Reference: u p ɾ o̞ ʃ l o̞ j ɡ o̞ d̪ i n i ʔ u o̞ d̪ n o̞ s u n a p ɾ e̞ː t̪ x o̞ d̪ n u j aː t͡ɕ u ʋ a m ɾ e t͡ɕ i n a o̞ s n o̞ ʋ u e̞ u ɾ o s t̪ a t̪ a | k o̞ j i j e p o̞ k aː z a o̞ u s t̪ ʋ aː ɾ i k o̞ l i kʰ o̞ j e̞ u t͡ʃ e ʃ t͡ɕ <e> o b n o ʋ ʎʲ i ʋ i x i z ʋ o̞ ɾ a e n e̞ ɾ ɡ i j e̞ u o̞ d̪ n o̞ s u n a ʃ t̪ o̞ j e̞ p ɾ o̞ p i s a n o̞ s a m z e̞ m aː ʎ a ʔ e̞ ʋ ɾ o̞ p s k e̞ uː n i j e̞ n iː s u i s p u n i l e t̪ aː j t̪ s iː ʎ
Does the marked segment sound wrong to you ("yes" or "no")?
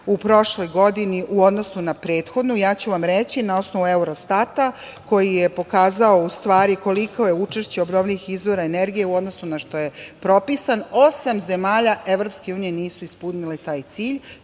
no